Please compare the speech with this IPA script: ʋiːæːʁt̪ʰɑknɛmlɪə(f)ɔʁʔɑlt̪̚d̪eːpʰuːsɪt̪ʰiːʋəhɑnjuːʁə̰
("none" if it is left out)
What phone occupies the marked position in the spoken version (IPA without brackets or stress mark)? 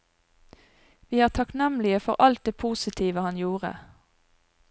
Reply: f